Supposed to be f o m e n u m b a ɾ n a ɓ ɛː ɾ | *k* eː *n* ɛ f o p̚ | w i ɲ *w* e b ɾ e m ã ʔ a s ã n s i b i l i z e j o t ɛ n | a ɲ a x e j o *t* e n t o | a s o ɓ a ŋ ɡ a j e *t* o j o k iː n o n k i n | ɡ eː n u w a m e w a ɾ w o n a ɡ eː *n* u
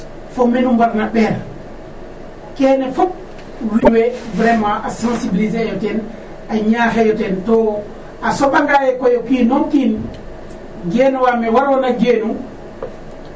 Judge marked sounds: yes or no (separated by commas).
yes, yes, yes, yes, no, yes